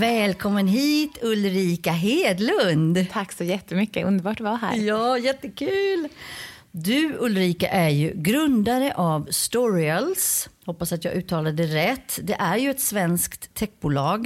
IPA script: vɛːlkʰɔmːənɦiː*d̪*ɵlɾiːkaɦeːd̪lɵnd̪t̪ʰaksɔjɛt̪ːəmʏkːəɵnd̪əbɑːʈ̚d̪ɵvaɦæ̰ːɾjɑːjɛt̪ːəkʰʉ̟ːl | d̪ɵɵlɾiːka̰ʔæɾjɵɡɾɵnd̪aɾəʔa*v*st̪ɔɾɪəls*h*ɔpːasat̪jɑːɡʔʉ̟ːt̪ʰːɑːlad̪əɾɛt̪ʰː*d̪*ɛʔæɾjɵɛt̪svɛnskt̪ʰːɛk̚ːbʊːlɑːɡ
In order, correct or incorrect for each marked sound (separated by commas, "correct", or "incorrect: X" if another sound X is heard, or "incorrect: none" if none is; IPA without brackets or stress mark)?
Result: incorrect: t̪, correct, correct, correct